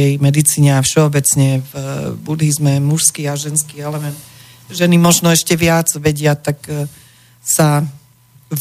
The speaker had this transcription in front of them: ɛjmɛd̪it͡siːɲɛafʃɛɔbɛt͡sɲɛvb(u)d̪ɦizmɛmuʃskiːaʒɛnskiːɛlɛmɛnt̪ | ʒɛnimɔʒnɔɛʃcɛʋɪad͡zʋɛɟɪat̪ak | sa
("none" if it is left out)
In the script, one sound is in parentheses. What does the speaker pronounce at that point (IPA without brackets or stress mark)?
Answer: u